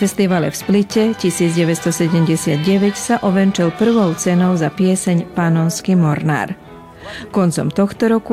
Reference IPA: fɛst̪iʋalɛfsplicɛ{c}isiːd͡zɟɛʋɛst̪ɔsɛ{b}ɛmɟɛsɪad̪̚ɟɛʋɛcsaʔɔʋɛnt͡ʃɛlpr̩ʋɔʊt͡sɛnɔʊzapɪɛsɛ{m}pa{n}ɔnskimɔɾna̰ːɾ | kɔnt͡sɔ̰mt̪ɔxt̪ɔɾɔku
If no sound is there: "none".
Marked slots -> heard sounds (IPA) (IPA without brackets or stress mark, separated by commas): c, ɟ, ɲ, n